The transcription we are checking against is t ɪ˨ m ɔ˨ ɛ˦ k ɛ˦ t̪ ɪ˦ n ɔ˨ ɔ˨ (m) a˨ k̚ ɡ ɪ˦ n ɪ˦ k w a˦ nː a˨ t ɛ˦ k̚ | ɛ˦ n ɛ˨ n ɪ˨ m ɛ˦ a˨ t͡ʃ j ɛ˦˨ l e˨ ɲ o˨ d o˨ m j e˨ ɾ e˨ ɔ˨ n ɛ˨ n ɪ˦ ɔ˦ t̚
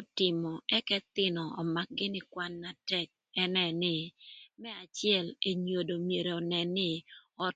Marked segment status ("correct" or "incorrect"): correct